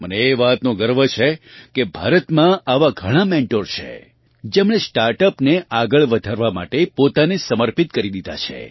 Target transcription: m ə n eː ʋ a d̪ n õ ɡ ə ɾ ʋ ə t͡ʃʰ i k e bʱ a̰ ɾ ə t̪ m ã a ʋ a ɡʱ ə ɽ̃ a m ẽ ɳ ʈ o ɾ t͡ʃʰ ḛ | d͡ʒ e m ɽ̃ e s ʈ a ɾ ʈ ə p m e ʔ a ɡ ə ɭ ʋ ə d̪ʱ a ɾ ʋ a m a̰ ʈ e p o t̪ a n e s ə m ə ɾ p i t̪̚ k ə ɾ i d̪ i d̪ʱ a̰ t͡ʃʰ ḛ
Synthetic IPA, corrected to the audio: m ə n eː ʋ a t̪ n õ ɡ ə ɾ ʋ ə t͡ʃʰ e k e bʱ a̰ ɾ ə t̪ m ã a ʋ a ɡʱ ə ɽ̃ a m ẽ ɳ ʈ o ɾ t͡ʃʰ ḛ | d͡ʒ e m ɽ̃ e s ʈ a ɾ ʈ ə p n e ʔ a ɡ ə ɭ ʋ ə d̪ʱ a ɾ ʋ a m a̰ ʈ e p o t̪ a n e s ə m ə ɾ p i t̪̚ k ə ɾ i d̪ i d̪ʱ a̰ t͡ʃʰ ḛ